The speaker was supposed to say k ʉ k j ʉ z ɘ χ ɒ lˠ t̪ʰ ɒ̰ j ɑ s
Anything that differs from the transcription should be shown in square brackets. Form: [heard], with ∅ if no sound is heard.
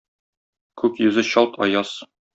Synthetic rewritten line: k ʉ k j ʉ z ɘ [ɕ] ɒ lˠ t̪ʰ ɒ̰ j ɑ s